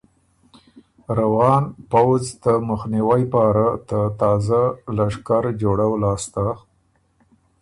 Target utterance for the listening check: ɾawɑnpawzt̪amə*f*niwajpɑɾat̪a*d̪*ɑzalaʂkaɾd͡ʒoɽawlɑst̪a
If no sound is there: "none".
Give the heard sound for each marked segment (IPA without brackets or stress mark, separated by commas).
x, t̪